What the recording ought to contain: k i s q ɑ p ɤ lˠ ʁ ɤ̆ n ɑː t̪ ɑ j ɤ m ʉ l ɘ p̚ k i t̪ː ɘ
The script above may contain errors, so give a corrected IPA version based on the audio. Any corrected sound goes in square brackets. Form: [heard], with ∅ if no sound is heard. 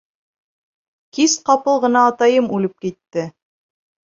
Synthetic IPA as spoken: k i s q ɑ p ɤ lˠ ʁ ɤ̆ n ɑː t̪ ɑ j ɤ m ʉ l ɘ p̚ k i t̪ː ɘ